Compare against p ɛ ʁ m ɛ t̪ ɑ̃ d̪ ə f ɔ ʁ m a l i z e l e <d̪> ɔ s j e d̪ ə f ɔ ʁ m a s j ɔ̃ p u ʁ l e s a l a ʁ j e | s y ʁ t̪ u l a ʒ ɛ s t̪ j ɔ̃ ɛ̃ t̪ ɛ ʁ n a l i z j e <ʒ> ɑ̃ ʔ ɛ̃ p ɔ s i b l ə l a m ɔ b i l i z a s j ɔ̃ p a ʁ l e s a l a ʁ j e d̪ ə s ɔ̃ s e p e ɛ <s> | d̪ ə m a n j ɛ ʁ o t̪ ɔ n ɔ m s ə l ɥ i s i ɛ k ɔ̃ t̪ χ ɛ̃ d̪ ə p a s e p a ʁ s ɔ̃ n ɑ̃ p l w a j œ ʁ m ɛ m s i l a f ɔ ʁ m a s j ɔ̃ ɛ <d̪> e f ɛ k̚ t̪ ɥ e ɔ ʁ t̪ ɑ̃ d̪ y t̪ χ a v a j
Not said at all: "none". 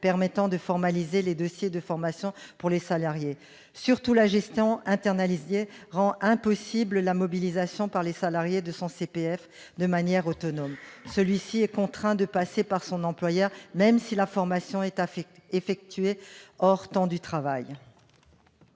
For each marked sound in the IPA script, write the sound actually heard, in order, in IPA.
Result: d̪, ʁ, f, t̪

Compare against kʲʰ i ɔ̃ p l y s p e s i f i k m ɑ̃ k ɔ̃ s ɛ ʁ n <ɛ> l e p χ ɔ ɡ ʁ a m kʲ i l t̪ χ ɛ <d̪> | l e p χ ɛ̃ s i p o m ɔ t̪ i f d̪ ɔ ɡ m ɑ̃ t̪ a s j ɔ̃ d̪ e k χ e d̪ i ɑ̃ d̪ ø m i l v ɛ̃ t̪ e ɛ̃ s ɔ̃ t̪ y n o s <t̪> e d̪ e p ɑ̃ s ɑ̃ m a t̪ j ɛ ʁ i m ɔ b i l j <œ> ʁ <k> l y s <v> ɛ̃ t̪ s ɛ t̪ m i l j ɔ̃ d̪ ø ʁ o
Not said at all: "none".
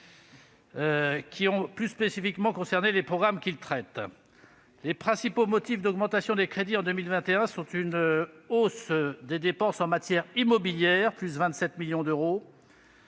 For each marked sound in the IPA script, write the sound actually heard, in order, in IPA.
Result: e, t̪, d̪, ɛ, p, v

